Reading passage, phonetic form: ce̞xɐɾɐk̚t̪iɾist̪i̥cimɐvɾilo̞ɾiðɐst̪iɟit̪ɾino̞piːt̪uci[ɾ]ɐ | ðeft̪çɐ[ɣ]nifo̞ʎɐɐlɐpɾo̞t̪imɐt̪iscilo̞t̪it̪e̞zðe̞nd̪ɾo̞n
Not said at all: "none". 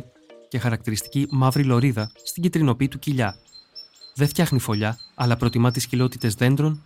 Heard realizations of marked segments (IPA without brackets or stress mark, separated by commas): ʎ, x